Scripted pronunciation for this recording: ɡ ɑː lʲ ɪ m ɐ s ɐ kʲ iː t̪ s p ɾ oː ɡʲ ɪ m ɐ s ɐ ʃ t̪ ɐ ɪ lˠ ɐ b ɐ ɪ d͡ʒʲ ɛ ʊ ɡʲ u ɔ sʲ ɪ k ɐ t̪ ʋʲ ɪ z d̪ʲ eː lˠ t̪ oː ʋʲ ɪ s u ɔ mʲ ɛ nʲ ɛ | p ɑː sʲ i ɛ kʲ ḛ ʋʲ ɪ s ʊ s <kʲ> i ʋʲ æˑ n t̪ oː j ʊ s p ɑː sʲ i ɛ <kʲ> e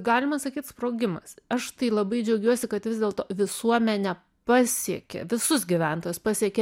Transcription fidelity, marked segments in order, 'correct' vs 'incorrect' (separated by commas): incorrect, correct